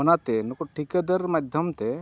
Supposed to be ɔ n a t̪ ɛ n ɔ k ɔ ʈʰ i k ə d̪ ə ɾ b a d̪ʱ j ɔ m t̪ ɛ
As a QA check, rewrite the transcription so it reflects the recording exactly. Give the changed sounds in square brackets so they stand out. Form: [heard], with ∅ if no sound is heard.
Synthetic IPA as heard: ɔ n a t̪ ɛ n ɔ k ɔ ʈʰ i k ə d̪ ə ɾ [m] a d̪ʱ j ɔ m t̪ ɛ